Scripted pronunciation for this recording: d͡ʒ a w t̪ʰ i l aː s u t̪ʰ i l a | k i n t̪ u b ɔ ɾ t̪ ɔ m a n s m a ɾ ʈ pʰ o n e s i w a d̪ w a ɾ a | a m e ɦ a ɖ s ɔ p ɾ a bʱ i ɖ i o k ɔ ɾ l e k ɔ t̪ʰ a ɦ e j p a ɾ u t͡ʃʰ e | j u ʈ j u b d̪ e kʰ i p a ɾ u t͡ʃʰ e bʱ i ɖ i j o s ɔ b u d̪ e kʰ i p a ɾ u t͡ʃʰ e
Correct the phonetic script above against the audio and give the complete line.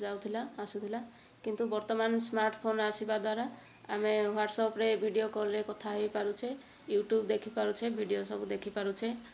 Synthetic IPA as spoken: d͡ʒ a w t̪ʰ i l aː s u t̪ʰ i l a | k i n t̪ u b ɔ ɾ t̪ ɔ m a n s m a ɾ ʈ pʰ o n a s i b a d̪ w a ɾ a | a m e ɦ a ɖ s ɔ p ɾ e bʱ i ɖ i o k ɔ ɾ l e k ɔ t̪ʰ a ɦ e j p a ɾ u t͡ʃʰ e | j u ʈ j u b d̪ e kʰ i p a ɾ u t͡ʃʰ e bʱ i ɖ i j o s ɔ b u d̪ e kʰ i p a ɾ u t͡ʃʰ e